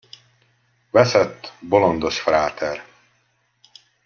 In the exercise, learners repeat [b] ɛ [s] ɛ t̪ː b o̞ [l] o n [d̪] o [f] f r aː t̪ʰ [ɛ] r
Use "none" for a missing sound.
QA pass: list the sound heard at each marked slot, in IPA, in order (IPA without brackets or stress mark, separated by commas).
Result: v, s, l, d̪, ʃ, ɛ